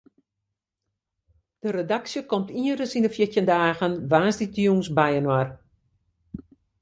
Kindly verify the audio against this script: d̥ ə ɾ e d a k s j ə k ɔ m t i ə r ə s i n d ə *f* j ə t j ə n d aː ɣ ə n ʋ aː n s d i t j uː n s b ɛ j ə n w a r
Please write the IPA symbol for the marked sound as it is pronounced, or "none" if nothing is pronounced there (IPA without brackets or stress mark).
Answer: f